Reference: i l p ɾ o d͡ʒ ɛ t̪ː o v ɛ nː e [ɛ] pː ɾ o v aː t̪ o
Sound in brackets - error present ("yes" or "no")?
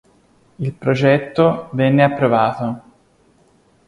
yes